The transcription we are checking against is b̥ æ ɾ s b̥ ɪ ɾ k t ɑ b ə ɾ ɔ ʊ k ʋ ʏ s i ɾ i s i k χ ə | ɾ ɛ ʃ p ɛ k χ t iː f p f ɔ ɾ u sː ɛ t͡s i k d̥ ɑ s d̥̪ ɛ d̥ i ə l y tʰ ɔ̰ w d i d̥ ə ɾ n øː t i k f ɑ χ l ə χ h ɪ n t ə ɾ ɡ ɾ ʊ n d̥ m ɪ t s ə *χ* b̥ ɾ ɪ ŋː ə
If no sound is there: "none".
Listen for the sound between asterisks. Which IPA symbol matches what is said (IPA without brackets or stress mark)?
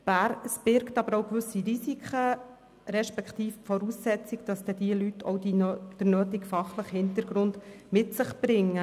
χ